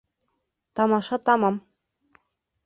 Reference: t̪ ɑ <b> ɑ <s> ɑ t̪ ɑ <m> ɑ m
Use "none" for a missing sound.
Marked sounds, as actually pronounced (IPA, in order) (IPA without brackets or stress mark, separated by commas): m, ʃ, m